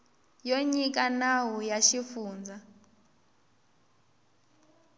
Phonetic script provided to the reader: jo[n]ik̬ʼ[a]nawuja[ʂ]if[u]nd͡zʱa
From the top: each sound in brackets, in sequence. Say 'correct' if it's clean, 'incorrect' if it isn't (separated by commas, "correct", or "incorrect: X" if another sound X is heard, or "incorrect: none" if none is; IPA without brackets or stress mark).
incorrect: ɲ, correct, incorrect: ʃ, incorrect: uː